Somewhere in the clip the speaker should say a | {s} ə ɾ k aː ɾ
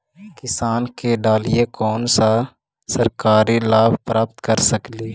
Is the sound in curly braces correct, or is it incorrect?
correct